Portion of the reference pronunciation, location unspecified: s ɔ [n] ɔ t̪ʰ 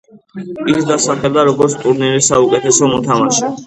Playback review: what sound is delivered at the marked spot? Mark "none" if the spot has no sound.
m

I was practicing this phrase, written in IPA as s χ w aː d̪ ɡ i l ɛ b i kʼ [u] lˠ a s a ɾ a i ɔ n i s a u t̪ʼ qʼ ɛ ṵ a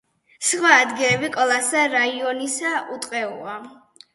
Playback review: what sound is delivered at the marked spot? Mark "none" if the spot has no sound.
ɔ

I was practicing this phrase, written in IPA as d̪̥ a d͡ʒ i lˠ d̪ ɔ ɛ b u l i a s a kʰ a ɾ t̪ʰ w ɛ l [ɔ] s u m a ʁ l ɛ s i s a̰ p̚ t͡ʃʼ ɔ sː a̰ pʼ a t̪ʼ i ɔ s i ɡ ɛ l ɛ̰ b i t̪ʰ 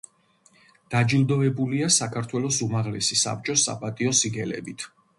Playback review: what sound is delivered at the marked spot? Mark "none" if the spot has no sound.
ɔ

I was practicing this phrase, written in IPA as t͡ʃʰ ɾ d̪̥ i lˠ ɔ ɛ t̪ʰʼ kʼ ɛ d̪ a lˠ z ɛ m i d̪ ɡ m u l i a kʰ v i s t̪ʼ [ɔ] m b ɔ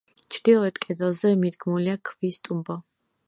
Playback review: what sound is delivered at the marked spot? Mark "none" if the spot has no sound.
u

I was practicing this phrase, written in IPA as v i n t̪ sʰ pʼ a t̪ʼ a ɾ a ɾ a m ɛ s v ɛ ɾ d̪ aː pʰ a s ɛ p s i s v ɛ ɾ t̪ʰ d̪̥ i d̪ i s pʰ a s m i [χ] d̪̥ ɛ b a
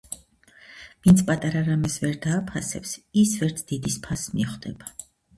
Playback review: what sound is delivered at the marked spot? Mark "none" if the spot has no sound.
χ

